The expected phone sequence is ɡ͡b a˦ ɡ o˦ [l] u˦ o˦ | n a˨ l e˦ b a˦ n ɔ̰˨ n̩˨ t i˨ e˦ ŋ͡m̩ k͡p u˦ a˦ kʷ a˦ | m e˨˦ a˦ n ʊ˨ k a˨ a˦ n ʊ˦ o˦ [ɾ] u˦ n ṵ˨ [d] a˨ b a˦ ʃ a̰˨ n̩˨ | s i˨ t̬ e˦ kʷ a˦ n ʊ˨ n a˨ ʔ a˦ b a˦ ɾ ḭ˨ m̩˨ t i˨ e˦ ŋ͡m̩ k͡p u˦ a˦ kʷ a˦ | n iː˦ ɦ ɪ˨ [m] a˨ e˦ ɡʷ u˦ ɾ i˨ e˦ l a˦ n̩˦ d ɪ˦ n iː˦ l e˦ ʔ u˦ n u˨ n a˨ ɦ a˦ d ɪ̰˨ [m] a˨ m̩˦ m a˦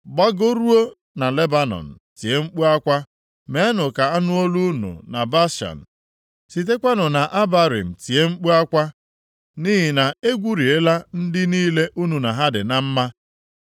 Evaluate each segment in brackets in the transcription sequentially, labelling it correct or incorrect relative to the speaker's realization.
incorrect: ɾ, incorrect: l, incorrect: n, incorrect: n, incorrect: n

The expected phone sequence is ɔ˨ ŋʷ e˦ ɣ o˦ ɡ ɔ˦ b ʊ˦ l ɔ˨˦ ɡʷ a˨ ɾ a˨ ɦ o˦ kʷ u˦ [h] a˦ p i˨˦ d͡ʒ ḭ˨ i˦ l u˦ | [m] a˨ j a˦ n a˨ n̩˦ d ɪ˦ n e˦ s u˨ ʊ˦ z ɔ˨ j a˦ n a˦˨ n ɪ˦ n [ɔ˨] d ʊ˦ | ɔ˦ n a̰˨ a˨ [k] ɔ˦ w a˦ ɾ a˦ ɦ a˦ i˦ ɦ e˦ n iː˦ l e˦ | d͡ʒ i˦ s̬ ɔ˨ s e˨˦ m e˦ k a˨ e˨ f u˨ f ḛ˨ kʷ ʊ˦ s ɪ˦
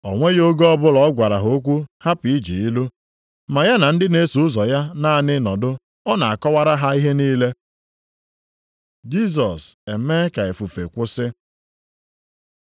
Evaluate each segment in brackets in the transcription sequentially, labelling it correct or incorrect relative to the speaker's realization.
correct, correct, correct, correct

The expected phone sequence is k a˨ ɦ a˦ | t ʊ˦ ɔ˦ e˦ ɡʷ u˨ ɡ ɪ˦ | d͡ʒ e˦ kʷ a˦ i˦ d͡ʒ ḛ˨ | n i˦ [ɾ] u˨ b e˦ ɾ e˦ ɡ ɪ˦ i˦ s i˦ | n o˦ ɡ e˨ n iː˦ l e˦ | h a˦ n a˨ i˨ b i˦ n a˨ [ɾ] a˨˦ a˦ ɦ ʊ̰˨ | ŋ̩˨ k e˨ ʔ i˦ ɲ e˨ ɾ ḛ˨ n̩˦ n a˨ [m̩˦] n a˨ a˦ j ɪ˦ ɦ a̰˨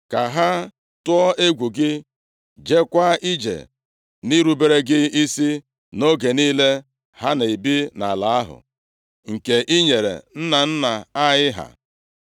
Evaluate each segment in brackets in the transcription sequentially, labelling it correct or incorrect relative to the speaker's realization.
correct, incorrect: l, incorrect: n̩˦

